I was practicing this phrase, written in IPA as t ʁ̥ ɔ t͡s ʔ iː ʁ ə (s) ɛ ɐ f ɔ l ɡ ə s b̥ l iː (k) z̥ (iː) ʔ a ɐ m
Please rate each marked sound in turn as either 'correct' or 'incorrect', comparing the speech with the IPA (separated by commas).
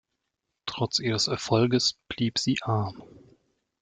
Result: correct, incorrect, correct